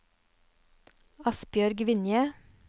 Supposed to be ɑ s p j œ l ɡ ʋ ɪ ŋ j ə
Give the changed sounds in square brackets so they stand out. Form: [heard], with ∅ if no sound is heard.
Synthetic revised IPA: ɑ s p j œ [ɾ] ɡ ʋ ɪ [n] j ə